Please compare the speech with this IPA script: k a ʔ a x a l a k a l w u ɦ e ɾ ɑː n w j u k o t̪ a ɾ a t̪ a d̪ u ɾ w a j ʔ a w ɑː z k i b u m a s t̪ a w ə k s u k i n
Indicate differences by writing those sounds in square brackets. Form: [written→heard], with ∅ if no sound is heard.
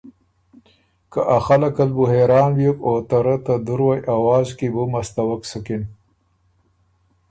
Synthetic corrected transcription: k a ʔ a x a l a k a l [w→b] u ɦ e ɾ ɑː n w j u k o t̪ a ɾ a t̪ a d̪ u ɾ w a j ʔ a w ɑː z k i b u m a s t̪ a w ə k s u k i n